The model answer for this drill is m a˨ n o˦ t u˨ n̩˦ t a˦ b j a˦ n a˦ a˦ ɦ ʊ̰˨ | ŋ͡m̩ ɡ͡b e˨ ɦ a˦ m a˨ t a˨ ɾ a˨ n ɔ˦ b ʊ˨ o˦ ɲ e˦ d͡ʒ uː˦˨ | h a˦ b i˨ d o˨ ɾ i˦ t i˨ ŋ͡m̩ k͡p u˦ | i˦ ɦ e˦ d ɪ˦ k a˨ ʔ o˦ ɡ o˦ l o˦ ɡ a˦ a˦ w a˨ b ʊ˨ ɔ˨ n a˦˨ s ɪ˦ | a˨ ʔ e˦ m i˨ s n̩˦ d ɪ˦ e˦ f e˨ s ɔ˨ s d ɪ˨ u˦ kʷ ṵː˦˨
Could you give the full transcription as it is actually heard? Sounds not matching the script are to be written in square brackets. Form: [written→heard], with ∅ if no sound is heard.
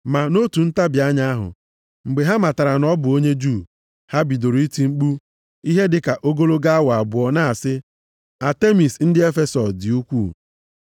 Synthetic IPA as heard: m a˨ n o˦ t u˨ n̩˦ t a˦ b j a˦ [n→ɲ] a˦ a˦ ɦ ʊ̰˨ | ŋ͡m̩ ɡ͡b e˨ ɦ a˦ m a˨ t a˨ ɾ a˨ n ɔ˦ b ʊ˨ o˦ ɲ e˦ d͡ʒ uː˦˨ | h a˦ b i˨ d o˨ ɾ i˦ t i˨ ŋ͡m̩ k͡p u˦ | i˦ ɦ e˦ d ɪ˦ k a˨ ʔ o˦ ɡ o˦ l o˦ ɡ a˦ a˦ w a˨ b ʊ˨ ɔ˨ n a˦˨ s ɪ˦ | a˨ [ʔ→t] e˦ m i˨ s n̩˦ d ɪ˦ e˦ f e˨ s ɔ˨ s d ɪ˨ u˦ kʷ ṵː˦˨